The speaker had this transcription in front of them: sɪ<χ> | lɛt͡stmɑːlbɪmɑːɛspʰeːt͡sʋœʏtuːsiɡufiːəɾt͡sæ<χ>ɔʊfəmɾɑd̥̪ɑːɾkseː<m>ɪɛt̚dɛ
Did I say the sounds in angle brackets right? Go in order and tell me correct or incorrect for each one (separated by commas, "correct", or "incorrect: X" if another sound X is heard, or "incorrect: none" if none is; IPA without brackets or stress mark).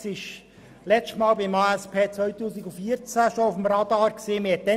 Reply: incorrect: ʃ, incorrect: ʃ, correct